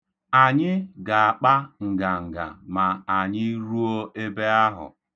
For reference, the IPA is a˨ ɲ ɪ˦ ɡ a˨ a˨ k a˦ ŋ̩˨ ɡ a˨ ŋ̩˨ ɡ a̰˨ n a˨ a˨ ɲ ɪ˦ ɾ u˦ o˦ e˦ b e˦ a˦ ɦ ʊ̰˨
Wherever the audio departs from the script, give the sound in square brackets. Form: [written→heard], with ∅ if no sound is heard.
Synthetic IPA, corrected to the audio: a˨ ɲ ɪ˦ ɡ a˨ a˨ [k→k͡p] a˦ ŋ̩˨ ɡ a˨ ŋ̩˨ ɡ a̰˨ [n→m] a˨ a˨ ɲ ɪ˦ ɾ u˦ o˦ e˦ b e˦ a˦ ɦ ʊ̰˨